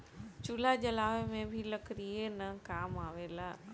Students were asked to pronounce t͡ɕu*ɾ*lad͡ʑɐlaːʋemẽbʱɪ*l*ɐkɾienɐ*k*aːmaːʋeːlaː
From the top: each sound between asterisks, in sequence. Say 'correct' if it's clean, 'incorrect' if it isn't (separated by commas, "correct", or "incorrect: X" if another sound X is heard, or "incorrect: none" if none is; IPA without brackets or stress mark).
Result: incorrect: none, correct, correct